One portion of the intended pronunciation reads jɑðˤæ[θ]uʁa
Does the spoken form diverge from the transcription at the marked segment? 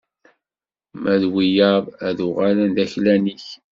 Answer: yes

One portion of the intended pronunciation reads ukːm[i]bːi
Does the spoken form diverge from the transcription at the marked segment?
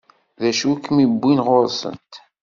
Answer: no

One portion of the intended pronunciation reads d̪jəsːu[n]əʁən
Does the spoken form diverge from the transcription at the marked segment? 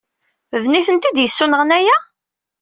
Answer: no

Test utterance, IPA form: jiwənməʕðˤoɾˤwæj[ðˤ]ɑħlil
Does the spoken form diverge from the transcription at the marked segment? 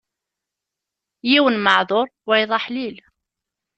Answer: no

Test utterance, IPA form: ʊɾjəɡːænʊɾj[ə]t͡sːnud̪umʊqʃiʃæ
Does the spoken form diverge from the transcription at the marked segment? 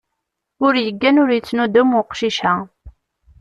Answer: no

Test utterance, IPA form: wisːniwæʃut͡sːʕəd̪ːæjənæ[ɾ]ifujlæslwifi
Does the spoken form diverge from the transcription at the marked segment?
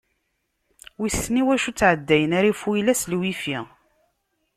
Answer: no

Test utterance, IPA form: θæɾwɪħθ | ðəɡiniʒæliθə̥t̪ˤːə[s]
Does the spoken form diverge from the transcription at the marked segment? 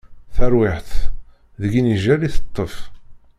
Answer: yes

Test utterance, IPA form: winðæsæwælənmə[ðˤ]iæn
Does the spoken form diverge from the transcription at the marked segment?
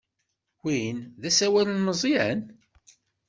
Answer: yes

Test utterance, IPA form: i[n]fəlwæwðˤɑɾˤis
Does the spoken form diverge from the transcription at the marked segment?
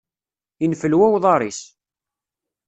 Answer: no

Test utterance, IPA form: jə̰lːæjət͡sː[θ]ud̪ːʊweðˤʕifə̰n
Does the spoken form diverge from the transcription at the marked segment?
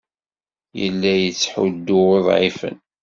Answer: yes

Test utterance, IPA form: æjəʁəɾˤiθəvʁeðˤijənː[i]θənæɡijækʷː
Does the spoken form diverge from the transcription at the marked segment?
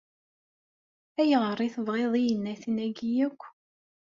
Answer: yes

